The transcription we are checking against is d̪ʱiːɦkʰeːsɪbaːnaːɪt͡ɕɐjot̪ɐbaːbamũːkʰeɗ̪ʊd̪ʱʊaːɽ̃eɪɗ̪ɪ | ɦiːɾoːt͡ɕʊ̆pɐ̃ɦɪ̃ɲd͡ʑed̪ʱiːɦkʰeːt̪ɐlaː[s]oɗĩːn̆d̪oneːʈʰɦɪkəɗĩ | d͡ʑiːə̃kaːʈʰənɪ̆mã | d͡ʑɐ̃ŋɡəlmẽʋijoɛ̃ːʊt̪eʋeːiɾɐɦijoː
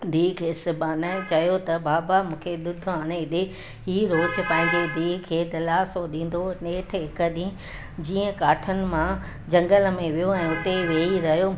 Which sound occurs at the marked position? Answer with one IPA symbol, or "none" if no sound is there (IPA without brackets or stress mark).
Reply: s